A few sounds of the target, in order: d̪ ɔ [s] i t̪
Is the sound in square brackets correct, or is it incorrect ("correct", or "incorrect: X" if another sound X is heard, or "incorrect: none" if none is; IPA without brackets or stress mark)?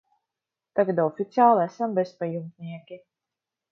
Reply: incorrect: f